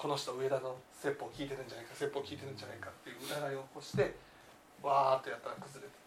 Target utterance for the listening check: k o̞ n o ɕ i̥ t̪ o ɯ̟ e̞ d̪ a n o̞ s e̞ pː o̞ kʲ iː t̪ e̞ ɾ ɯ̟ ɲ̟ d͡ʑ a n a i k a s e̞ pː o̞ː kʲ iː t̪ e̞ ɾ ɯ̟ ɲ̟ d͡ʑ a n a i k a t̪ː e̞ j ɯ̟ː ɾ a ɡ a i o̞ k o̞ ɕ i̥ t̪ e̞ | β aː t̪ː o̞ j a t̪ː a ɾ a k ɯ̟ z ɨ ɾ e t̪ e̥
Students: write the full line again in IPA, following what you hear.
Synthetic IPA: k o̞ n o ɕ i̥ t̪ o ɯ̟ e̞ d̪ a n o̞ s e̞ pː o̞ kʲ iː t̪ e̞ ɾ ɯ̟ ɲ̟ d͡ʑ a n a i k a s e̞ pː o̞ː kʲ iː t̪ e̞ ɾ ɯ̟ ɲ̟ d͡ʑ a n a i k a t̪ː e̞ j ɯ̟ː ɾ a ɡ a i o̞ k o̞ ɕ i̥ t̪ e̞ | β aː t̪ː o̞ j a t̪ː a ɾ a k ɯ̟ z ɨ ɾ e t̪ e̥